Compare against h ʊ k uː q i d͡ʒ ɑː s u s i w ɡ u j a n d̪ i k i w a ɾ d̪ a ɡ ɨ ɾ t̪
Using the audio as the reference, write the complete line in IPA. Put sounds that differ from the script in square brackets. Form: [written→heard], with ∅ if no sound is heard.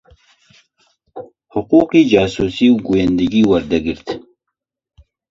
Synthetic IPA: h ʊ [k→q] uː q i d͡ʒ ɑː s u s i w ɡ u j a n d̪ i [k→ɡ] i w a ɾ d̪ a ɡ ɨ ɾ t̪

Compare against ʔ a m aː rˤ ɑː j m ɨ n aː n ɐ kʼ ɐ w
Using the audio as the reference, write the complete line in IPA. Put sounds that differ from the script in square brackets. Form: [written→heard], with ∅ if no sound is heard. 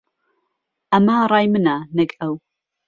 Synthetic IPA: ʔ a m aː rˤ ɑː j m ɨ n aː n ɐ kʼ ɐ w

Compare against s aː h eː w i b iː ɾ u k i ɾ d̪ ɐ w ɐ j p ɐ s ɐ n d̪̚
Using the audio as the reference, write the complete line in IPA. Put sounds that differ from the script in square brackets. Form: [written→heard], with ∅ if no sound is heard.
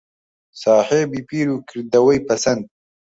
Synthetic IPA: s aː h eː [w→b] i [b→p] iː ɾ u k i ɾ d̪ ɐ w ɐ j p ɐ s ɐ n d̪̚

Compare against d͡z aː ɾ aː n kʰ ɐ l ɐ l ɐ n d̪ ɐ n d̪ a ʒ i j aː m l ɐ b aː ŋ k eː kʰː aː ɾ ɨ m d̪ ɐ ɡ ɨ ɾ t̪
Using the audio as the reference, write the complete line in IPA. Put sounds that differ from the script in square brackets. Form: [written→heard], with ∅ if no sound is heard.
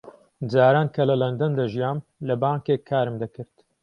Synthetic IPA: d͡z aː ɾ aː n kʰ ɐ l ɐ l ɐ n d̪ ɐ n d̪ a ʒ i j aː m l ɐ b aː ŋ k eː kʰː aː ɾ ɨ m d̪ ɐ [ɡ→k] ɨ ɾ t̪

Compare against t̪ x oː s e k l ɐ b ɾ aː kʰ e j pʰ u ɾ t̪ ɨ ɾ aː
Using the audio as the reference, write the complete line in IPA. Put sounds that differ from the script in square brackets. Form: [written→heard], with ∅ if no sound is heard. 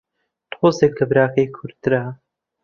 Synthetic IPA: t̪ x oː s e k l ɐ b ɾ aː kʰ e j [pʰ→kʰ] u ɾ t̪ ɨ ɾ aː

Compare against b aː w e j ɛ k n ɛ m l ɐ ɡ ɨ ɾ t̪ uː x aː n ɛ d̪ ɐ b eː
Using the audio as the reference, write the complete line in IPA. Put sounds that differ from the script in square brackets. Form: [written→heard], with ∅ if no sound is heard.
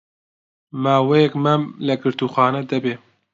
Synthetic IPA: [b→m] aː w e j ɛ k [n→m] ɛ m l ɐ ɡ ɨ ɾ t̪ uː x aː n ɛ d̪ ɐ b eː

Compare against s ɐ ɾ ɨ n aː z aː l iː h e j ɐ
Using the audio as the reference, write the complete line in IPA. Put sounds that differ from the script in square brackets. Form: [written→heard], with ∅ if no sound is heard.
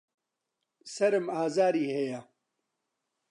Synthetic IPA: s ɐ ɾ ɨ [n→m] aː z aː [l→ɾ] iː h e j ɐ

